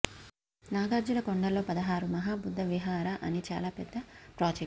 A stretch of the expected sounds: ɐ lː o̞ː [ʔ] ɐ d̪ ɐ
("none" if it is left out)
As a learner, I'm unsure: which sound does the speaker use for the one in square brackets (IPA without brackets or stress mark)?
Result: p